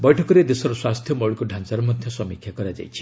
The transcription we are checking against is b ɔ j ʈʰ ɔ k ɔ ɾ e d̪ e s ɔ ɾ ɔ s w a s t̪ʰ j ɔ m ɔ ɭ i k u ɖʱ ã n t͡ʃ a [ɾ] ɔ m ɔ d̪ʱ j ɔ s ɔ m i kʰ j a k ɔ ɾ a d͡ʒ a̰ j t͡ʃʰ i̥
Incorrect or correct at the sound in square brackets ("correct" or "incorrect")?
correct